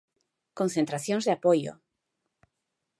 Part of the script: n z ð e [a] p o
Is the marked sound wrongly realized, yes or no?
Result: no